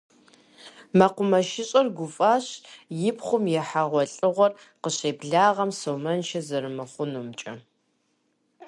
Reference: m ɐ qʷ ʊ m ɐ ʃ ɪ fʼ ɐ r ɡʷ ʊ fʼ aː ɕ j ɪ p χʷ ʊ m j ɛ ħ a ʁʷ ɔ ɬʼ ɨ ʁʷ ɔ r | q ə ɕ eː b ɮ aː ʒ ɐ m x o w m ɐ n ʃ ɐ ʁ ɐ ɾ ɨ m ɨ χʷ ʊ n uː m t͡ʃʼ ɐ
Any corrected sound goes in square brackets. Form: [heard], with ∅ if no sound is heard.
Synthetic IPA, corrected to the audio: m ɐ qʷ ʊ m ɐ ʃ ɪ [ɕʼ] ɐ r ɡʷ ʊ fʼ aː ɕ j ɪ p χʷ ʊ m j ɛ ħ a ʁʷ ɔ ɬʼ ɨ ʁʷ ɔ r | q ə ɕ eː b ɮ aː [ʁ] ɐ m [s] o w m ɐ n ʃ ɐ [z] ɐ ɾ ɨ m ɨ χʷ ʊ n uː m t͡ʃʼ ɐ